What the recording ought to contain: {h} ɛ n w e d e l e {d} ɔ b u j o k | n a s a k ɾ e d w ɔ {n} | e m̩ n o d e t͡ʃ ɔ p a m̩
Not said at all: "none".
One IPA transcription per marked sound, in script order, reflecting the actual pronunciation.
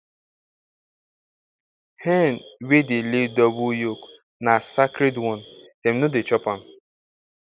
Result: h, d, n

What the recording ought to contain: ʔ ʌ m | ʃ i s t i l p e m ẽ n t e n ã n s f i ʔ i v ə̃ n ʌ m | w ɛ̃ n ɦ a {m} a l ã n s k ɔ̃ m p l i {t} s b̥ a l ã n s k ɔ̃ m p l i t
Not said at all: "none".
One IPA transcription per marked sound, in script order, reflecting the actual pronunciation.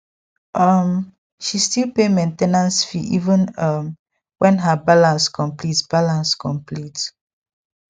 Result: b, t

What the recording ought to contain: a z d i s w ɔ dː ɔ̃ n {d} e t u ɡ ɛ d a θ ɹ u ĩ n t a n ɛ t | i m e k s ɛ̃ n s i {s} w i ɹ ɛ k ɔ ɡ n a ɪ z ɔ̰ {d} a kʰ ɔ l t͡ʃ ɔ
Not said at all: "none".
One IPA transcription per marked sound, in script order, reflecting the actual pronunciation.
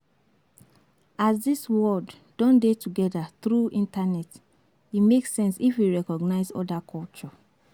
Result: d, f, d

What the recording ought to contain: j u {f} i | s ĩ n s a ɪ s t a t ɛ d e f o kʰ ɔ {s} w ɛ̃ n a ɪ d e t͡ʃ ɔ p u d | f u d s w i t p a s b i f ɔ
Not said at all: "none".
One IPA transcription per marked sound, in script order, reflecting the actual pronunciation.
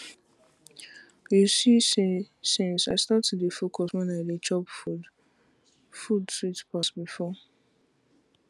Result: s, s

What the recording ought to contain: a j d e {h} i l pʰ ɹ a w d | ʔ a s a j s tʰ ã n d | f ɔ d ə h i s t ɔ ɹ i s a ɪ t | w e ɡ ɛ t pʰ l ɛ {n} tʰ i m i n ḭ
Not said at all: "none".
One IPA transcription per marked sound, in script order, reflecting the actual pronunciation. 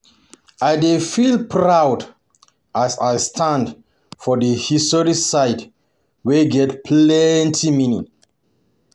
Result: f, n

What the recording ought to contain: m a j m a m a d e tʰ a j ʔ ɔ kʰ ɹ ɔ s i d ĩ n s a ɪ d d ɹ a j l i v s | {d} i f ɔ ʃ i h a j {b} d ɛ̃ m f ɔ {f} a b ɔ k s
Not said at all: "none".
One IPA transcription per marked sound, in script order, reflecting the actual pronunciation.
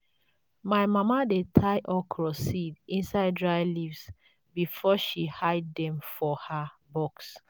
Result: b, d, h

